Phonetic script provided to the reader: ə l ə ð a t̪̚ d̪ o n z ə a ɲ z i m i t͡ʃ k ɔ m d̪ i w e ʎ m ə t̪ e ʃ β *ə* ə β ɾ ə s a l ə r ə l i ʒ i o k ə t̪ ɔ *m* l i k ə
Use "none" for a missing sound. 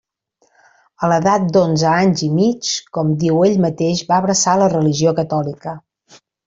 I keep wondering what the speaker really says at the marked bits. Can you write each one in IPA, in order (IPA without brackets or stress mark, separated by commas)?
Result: a, none